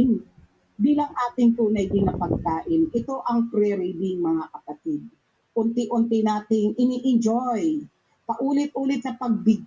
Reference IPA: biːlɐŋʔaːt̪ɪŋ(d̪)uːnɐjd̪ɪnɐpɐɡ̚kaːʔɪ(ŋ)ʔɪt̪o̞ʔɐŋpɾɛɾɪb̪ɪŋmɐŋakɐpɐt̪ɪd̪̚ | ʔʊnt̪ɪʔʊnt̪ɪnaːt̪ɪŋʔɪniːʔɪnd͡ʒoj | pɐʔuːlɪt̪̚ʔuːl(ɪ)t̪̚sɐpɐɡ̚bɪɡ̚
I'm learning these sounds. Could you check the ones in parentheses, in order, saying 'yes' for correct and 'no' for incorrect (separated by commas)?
no, no, yes